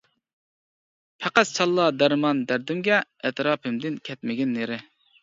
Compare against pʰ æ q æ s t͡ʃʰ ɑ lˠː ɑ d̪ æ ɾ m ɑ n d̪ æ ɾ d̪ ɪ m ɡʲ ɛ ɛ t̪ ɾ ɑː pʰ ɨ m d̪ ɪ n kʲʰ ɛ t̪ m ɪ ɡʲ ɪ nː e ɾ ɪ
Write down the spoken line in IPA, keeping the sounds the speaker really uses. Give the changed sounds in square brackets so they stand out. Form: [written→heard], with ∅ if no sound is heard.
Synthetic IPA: pʰ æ q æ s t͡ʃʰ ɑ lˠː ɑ d̪ æ ɾ m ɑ n d̪ æ ɾ d̪ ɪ m ɡʲ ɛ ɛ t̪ ɾ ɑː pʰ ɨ m d̪ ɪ n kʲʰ ɛ t̪ m ɪ ɡʲ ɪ nː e ɾ ɪ